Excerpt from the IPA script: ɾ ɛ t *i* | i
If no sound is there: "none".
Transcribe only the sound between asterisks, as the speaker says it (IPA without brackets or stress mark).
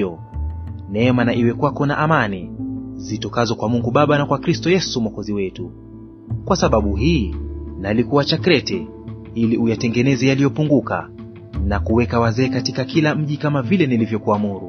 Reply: ɛ